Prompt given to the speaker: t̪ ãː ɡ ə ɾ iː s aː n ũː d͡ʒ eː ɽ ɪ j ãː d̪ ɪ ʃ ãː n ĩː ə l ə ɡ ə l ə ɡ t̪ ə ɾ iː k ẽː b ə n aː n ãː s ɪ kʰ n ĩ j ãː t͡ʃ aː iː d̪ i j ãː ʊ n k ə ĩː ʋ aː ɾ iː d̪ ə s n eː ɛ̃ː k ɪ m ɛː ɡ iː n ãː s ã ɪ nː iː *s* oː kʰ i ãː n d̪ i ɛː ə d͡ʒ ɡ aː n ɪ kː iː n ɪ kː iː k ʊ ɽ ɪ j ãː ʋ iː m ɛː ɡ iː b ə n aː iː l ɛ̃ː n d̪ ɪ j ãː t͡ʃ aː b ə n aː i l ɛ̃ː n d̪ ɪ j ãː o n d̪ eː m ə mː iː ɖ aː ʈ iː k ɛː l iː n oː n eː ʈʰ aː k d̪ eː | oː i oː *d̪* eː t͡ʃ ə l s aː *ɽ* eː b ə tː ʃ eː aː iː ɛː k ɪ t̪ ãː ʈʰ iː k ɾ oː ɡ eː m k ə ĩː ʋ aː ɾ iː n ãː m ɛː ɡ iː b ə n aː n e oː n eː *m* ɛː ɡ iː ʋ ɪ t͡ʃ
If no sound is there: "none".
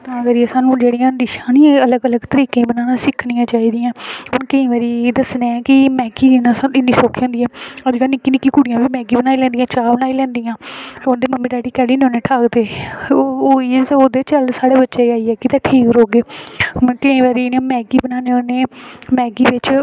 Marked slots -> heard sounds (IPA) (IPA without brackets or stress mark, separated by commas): s, d̪, ɽ, m